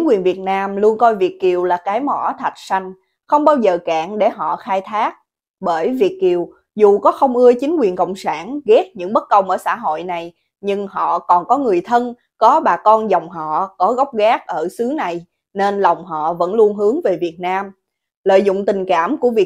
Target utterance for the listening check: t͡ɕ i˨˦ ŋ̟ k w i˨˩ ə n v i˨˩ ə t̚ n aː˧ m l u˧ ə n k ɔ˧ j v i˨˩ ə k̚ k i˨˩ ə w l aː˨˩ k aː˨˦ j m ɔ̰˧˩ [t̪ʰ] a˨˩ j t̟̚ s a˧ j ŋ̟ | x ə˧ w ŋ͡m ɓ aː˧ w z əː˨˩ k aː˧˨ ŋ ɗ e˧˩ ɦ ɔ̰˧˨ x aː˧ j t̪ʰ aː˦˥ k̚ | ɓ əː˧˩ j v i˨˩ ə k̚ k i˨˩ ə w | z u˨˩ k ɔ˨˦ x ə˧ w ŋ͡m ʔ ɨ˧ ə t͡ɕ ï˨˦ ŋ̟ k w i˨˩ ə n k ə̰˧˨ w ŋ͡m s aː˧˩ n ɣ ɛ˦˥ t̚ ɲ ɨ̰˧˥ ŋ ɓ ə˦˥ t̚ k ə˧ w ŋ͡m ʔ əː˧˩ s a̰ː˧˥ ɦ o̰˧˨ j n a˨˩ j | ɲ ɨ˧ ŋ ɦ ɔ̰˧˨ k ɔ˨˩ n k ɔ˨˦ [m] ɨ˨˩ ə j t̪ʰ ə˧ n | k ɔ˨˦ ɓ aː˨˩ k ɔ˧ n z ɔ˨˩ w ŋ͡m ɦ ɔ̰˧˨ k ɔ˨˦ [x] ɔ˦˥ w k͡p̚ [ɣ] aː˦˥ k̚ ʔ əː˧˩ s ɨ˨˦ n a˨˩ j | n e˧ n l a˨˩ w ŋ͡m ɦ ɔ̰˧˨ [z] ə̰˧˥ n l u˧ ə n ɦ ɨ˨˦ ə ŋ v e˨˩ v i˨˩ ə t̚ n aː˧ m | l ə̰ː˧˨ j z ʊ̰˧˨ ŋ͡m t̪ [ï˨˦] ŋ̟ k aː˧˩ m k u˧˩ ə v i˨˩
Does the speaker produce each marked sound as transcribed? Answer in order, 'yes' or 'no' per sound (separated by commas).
yes, no, no, yes, no, no